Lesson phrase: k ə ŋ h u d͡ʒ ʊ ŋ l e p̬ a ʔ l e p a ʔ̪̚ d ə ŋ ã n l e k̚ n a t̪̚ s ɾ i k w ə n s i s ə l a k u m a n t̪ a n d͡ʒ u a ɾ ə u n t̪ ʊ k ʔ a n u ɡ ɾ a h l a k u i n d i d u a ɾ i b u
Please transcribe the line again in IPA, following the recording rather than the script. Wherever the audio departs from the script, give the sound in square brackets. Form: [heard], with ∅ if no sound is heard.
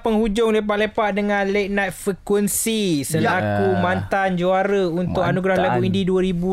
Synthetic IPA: [p] ə ŋ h u d͡ʒ ʊ ŋ l e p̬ a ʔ l e p a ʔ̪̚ d ə ŋ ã n l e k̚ n a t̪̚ [f] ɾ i k w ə n s i s ə l a k u m a n t̪ a n d͡ʒ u a ɾ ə u n t̪ ʊ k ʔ a n u ɡ ɾ a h l a k u i n d i d u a ɾ i b u